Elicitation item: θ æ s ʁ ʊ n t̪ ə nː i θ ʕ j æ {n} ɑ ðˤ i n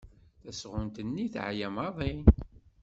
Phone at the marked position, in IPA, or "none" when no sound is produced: m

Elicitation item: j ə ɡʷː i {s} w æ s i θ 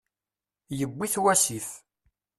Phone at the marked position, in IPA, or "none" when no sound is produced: θ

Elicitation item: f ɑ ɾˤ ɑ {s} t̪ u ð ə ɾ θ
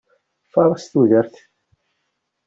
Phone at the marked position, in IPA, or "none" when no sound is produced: s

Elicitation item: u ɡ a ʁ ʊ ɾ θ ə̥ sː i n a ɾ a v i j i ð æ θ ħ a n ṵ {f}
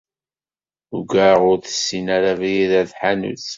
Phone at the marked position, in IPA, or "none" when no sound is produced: θ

